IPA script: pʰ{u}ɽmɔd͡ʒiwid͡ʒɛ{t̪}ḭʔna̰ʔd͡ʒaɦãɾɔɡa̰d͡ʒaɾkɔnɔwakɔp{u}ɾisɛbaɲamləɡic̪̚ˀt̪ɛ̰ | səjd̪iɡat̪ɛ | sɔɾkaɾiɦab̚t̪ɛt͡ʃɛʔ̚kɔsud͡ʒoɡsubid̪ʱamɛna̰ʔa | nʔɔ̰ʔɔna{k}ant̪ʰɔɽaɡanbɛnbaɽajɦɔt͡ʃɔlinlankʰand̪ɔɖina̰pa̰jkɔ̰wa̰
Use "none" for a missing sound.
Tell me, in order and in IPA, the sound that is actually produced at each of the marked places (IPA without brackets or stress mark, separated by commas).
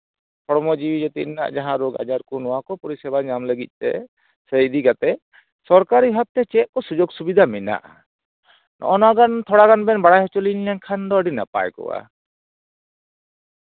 ɔ, t̪, ɔ, ɡ